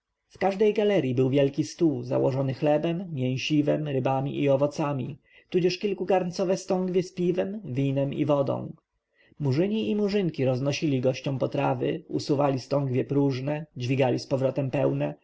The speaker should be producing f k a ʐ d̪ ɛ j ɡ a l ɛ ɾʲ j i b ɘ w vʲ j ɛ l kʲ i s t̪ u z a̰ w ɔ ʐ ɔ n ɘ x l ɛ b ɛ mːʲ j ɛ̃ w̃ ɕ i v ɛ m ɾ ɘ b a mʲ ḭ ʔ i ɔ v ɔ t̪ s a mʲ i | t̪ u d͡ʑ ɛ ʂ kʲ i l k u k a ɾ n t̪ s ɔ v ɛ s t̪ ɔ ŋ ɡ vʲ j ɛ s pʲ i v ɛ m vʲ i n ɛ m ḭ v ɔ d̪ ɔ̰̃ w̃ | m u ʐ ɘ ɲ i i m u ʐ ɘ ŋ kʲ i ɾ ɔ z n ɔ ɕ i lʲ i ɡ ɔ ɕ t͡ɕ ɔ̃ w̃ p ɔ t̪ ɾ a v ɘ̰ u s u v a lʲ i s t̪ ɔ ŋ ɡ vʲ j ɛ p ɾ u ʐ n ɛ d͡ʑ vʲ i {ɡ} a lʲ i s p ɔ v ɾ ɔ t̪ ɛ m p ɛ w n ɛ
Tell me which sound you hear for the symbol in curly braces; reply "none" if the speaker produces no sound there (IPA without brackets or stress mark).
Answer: ɡ